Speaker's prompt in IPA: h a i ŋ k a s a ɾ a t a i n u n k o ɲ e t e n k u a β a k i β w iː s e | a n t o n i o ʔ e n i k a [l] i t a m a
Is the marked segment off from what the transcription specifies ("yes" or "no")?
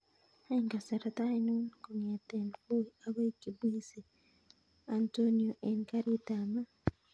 yes